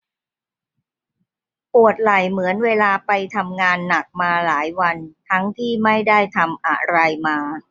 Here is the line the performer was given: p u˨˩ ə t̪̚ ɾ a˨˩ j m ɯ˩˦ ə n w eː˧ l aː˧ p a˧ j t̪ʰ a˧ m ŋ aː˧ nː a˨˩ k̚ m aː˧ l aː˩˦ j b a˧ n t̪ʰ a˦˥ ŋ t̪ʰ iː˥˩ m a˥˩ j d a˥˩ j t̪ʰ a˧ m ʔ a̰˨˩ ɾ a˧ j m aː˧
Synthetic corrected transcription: p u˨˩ ə t̪̚ l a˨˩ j m ɯ˩˦ ə n w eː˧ l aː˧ p a˧ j t̪ʰ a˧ m ŋ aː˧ nː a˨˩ k̚ m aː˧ l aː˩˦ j w a˧ n t̪ʰ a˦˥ ŋ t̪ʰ iː˥˩ m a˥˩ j d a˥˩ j t̪ʰ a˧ m ʔ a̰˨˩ ɾ a˧ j m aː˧